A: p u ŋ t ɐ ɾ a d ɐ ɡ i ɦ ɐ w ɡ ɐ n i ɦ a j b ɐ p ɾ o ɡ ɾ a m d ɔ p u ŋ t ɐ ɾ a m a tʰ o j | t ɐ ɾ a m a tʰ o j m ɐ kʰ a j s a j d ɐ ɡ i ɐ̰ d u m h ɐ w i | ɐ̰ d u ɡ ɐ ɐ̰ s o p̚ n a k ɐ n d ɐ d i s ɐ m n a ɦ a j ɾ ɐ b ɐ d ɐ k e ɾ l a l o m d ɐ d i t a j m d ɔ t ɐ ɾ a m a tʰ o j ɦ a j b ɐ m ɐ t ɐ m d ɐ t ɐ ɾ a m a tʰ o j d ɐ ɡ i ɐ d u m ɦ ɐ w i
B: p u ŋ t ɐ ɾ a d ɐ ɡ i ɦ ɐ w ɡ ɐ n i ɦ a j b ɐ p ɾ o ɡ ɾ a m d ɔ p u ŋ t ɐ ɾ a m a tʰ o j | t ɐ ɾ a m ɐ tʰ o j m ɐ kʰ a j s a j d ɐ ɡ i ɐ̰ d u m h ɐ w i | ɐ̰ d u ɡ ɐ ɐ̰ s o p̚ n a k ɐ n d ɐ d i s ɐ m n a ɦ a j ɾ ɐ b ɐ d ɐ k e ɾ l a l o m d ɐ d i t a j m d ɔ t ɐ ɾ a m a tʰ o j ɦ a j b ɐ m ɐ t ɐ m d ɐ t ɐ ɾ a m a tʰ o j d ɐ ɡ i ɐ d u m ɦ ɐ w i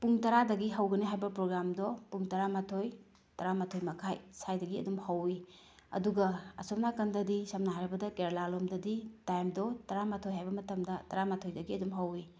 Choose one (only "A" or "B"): A